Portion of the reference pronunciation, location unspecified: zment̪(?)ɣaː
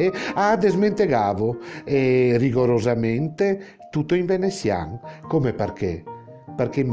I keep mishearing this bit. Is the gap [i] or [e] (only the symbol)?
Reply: e